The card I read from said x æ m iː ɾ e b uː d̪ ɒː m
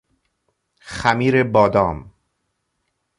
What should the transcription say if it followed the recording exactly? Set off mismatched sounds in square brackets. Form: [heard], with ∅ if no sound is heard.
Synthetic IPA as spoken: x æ m iː ɾ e b [ɒː] d̪ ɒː m